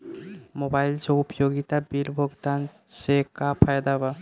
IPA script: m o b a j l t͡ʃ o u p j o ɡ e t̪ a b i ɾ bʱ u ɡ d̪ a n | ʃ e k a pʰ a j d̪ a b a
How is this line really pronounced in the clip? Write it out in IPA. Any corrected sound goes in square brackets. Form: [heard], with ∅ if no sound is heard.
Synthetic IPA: m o b a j l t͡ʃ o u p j o ɡ [i] t̪ a b i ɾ bʱ [o] ɡ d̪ a n | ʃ e k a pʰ a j d̪ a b a